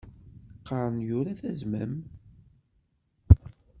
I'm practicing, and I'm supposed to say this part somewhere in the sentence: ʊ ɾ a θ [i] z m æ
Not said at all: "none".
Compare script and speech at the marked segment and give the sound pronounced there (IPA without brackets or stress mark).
æ